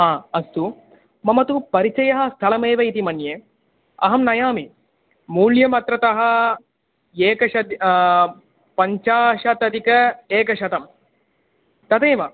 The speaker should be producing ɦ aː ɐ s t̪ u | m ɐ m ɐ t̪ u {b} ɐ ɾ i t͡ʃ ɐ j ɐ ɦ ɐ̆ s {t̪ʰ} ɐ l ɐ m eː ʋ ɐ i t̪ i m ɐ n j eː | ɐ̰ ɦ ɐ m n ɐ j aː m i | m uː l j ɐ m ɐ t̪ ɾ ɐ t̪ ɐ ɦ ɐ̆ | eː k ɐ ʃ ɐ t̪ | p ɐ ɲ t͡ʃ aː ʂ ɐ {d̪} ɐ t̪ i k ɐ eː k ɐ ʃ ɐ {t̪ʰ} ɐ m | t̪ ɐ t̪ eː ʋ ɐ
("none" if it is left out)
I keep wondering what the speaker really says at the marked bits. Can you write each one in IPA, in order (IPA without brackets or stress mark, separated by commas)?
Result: p, t̪ʰ, t̪, t̪